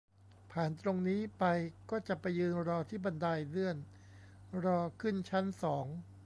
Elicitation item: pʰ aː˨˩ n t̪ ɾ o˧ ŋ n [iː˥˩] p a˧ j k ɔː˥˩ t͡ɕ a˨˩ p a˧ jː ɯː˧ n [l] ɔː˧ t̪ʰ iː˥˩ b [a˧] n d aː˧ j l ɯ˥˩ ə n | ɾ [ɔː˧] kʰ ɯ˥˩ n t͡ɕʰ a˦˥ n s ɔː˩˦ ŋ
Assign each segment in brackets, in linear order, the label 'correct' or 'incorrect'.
incorrect, incorrect, correct, correct

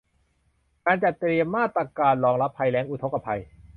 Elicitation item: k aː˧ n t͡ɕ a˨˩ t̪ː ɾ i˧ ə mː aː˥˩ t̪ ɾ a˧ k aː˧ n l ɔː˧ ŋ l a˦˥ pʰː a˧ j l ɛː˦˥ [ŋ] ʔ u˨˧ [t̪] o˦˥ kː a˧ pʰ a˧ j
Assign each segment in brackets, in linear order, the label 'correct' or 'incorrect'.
correct, incorrect

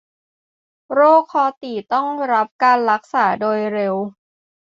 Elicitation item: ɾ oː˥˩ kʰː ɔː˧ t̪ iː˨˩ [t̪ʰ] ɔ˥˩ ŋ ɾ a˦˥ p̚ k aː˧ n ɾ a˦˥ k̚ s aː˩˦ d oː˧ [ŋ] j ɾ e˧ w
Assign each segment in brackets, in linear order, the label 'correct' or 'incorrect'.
incorrect, incorrect

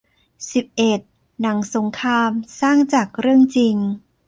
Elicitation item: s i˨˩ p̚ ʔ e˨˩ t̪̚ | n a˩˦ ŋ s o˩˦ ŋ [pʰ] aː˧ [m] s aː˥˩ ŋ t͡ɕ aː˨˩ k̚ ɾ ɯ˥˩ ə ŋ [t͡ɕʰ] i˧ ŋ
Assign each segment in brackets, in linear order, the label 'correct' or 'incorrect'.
incorrect, correct, incorrect

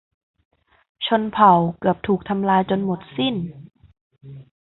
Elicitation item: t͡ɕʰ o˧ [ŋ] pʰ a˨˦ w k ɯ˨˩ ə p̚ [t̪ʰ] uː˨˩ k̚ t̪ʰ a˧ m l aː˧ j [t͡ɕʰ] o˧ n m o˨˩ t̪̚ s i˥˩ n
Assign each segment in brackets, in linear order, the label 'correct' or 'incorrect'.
incorrect, correct, incorrect

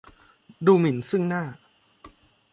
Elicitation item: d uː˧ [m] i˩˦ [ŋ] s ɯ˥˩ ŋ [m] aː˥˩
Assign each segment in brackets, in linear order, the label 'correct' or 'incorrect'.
correct, incorrect, incorrect

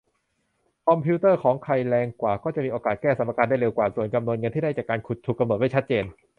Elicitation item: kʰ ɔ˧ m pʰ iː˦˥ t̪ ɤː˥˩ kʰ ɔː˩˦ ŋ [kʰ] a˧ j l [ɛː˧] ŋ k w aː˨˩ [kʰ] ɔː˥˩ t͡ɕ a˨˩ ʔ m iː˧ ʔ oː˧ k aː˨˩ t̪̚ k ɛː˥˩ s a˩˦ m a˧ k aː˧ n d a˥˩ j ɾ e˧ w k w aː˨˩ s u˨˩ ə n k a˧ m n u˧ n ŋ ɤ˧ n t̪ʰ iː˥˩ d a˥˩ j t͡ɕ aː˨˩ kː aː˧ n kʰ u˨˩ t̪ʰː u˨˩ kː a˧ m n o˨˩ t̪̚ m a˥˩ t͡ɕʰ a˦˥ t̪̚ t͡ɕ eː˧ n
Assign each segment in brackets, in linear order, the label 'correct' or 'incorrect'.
correct, correct, incorrect

